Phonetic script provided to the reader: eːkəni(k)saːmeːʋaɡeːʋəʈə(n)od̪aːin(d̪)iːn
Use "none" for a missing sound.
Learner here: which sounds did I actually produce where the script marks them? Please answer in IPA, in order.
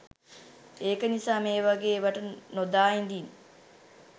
none, n, d̪

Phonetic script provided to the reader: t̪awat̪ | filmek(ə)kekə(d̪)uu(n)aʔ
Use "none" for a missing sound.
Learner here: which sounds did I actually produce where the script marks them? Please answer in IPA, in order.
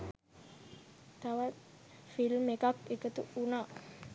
a, t̪, n

